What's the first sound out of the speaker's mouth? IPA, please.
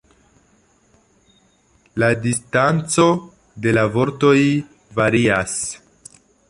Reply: l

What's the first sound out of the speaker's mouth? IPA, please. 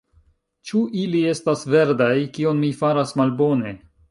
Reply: t͡ʃ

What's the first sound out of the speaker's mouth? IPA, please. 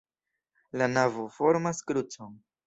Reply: l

